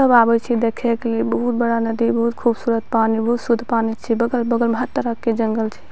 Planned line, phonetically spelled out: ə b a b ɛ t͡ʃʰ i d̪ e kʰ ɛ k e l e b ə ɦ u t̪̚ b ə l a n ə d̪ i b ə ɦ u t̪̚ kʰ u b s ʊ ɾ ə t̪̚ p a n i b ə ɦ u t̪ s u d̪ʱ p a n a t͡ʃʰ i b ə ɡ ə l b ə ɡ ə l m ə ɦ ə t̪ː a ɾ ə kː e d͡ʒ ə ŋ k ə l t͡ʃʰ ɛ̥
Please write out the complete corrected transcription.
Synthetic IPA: ə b a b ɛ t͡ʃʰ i d̪ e kʰ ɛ k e l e b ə ɦ u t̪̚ b ə ɽ a n ə d̪ i b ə ɦ u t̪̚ kʰ u b s u ɾ ə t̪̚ p a n i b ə ɦ u t̪ s u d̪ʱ p a n i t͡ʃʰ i b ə ɡ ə l b ə ɡ ə l m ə ɦ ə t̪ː ə ɾ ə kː e d͡ʒ ə ŋ ɡ ə l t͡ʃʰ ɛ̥